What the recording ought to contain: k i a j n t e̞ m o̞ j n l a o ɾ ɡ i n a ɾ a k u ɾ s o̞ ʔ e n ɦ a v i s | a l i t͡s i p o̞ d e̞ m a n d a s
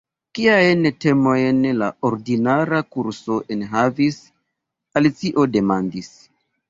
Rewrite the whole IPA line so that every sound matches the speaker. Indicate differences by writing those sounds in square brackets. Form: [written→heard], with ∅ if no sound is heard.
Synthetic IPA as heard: k i a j n t e̞ m o̞ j n l a o ɾ [ɡ→d] i n a ɾ a k u ɾ s o̞ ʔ e n ɦ a v i s | a l i t͡s i [p→ʔ] o̞ d e̞ m a n d [a→i] s